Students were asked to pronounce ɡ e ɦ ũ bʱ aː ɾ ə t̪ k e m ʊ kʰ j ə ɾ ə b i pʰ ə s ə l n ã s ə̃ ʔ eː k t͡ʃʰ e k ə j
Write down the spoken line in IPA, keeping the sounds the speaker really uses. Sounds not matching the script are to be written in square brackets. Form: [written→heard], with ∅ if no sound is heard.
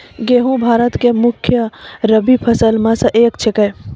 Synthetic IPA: ɡ e ɦ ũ bʱ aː ɾ ə t̪ k e m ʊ kʰ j ə ɾ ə b i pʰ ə s ə l [n→m] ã s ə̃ ʔ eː k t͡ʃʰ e k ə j